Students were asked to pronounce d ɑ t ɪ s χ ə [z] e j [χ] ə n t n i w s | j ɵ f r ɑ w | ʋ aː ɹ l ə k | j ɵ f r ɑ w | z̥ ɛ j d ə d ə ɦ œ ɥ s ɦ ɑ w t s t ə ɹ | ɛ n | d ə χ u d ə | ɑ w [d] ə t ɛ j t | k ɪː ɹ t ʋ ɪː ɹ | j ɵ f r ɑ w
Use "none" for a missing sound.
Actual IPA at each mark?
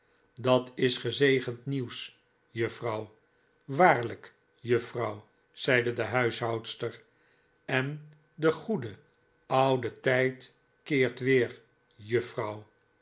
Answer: z, χ, d

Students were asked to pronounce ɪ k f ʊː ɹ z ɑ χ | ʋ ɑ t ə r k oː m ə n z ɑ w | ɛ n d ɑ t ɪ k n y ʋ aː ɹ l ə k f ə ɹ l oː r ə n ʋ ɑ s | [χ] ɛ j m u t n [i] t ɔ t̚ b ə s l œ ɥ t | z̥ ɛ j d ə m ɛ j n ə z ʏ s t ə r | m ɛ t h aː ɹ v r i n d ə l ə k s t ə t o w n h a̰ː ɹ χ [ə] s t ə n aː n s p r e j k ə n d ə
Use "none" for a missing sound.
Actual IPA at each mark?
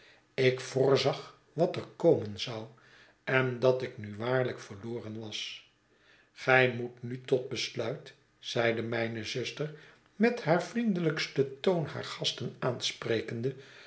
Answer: χ, y, ɑ

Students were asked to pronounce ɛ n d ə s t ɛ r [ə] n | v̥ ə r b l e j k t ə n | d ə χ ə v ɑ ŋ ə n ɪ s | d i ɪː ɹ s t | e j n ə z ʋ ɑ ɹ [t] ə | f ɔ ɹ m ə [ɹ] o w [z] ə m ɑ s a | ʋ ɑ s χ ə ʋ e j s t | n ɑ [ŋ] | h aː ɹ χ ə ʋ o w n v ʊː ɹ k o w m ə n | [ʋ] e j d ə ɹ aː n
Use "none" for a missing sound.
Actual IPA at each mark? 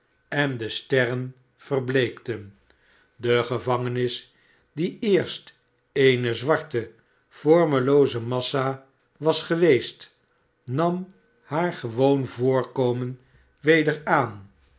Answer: ə, t, l, z, m, ʋ

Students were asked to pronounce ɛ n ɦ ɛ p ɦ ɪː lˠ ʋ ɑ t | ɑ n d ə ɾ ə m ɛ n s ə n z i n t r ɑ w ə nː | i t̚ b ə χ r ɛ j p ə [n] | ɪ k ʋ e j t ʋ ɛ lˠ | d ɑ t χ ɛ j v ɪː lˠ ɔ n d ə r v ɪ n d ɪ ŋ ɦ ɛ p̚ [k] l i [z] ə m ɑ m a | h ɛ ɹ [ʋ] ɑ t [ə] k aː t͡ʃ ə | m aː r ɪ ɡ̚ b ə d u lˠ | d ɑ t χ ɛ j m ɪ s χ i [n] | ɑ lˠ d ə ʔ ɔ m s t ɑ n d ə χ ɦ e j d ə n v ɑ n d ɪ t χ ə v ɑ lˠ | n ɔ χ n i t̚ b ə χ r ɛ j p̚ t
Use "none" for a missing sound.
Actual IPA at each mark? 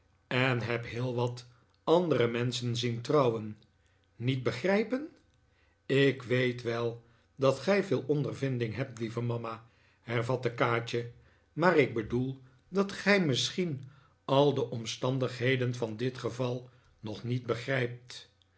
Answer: n, t, v, v, ə, n

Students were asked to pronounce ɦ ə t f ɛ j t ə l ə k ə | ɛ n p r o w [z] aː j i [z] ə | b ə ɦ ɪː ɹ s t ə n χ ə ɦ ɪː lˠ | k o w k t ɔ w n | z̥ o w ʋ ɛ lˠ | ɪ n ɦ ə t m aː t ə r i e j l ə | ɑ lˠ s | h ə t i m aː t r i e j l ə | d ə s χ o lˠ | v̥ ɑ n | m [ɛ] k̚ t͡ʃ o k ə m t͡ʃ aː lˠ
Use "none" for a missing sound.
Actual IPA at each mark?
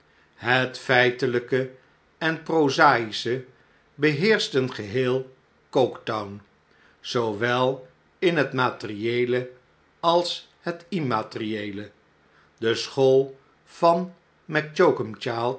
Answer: z, s, ɛ

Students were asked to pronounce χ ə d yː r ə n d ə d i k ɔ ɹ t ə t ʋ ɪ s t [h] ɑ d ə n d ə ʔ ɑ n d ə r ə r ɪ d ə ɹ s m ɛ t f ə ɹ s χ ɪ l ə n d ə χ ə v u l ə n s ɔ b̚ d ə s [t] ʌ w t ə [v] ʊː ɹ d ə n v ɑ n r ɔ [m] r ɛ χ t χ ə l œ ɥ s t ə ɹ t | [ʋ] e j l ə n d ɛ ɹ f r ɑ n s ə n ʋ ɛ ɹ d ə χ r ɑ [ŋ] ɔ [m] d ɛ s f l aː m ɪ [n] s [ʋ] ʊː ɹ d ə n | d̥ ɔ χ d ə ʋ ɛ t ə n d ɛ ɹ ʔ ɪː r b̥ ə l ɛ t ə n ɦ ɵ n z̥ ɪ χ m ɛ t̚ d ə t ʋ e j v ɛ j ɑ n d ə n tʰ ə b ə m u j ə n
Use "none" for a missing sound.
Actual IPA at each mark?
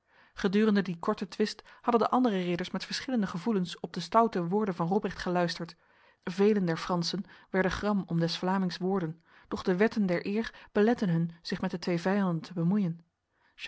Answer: h, t, ʋ, b, v, m, m, ŋ, ʋ

